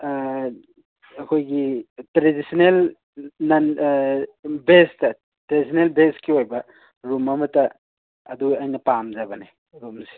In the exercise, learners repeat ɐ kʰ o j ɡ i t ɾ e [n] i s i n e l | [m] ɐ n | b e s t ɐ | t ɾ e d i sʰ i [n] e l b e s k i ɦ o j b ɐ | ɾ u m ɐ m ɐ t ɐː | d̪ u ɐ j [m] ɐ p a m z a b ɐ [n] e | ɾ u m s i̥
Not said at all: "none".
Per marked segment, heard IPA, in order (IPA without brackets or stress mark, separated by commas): d, n, n, n, n